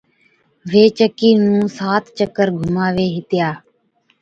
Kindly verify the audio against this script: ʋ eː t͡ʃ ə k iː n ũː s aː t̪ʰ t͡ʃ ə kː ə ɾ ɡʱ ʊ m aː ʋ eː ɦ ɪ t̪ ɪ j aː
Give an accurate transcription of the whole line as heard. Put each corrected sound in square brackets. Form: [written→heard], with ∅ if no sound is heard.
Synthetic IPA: ʋ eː t͡ʃ ə k iː n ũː s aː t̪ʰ t͡ʃ ə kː ə ɾ ɡʱ ʊ m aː ʋ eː ɦ ɪ t̪ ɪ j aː